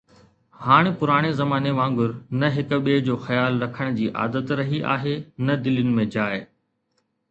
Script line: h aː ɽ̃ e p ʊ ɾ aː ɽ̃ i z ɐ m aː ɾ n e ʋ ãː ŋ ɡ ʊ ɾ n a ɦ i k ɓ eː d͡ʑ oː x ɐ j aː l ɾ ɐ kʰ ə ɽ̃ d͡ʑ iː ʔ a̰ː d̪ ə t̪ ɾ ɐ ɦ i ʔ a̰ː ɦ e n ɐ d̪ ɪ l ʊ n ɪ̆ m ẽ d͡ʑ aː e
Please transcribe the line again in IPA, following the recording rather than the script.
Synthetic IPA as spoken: h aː ɽ̃ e p ʊ ɾ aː ɽ̃ e z ɐ m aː n e ʋ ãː ŋ ɡ ʊ ɾ n ɐ ɦ ɪ k ɓ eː d͡ʑ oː x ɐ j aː l ɾ ɐ kʰ ə ɽ̃ d͡ʑ iː ʔ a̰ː d̪ ə t̪ ɾ ɐ ɦ i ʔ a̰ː ɦ e n ɐ d̪ ɪ l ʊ n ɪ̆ m ẽ d͡ʑ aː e